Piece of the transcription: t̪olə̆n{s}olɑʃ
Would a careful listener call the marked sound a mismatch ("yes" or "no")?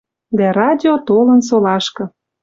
no